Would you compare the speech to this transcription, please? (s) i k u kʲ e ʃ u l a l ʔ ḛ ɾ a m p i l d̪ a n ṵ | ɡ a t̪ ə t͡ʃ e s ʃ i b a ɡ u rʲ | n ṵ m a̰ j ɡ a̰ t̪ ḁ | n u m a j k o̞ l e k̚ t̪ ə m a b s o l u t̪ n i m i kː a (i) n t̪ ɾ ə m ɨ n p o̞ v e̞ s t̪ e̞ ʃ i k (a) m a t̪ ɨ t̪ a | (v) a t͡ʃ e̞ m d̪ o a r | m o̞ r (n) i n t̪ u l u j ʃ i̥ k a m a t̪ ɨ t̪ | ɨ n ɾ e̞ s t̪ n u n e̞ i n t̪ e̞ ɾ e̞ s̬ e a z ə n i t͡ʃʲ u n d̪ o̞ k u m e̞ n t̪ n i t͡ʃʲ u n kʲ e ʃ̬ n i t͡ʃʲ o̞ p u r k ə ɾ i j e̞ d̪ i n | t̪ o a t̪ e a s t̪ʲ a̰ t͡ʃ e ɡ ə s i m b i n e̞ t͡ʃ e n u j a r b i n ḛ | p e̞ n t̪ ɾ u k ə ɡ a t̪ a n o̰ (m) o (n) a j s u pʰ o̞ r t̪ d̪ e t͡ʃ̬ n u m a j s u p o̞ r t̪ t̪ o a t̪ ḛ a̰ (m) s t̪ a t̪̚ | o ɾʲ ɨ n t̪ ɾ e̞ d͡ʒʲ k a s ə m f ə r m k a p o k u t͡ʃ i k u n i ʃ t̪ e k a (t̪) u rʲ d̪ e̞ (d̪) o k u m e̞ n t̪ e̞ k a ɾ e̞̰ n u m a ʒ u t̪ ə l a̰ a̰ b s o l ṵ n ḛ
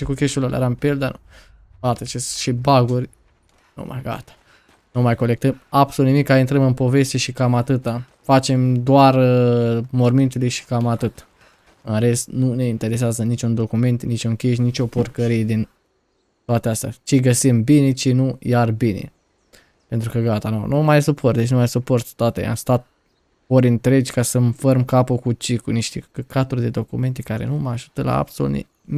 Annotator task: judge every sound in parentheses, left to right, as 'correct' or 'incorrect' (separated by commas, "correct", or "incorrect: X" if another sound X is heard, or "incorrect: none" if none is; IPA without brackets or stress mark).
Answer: incorrect: ʃ, correct, correct, incorrect: f, incorrect: m, incorrect: n, incorrect: m, correct, correct, correct